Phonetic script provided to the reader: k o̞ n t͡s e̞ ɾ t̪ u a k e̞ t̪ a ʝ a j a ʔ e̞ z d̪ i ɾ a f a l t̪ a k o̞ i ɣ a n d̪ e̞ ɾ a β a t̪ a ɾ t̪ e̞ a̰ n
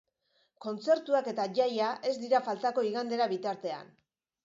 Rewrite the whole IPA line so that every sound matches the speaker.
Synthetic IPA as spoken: k o̞ n t͡s e̞ ɾ t̪ u a k e̞ t̪ a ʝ a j a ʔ e̞ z d̪ i ɾ a f a l t̪ a k o̞ i ɣ a n d̪ e̞ ɾ a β i t̪ a ɾ t̪ e̞ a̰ n